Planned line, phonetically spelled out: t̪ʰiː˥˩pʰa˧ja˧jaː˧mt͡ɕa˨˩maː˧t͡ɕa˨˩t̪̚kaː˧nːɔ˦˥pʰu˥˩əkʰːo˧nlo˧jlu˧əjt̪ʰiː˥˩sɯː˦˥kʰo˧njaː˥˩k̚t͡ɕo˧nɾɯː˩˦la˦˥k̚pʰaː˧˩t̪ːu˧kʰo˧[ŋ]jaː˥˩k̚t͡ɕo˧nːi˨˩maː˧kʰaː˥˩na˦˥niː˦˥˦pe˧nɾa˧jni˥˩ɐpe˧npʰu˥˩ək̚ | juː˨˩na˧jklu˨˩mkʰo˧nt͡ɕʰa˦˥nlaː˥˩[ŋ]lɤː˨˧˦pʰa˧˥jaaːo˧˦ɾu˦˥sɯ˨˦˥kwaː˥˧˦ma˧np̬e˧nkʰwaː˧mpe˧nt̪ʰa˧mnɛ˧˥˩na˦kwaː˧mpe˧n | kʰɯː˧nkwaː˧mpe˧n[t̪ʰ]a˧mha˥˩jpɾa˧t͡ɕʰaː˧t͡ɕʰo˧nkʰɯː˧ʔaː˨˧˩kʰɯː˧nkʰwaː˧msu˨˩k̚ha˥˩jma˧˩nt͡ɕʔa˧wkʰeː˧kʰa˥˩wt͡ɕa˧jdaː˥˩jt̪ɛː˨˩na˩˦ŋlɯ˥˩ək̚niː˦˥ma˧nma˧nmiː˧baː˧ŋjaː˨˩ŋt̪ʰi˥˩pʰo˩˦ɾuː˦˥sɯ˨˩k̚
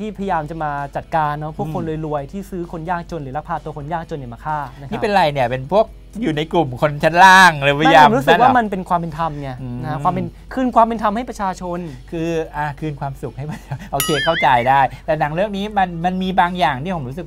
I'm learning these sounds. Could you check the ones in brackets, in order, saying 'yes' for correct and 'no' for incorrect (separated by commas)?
no, yes, yes